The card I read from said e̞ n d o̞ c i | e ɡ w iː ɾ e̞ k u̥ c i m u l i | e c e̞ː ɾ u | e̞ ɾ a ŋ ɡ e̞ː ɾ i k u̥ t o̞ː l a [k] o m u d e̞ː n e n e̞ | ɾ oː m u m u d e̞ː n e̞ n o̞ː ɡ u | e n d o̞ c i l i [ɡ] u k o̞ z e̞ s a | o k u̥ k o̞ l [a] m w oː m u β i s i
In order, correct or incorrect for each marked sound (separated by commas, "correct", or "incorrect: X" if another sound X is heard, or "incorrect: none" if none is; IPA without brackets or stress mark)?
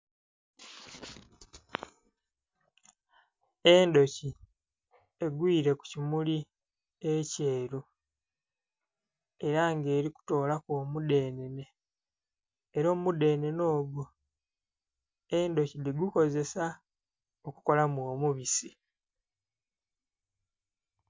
correct, correct, correct